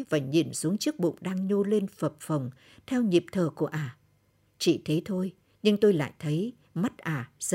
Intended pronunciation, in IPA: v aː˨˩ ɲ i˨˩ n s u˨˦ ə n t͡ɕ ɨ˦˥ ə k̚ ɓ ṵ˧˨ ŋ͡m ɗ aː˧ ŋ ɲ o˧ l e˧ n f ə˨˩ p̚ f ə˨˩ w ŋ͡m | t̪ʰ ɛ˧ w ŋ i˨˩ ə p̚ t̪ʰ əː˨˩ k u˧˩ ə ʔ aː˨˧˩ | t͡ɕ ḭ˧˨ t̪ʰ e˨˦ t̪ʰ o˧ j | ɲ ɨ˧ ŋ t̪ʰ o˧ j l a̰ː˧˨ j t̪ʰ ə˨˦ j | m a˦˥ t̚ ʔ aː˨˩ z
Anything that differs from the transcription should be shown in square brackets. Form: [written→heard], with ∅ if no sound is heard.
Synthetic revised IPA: v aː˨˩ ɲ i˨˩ n s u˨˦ ə [n→ŋ] t͡ɕ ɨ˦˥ ə k̚ ɓ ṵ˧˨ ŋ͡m ɗ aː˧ ŋ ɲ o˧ l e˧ n f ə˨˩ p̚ f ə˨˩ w ŋ͡m | t̪ʰ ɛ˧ w [ŋ→ɲ] i˨˩ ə p̚ t̪ʰ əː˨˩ k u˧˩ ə ʔ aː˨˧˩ | t͡ɕ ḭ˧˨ t̪ʰ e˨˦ t̪ʰ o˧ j | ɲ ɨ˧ ŋ [t̪ʰ→t̪] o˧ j l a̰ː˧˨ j t̪ʰ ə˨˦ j | m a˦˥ t̚ ʔ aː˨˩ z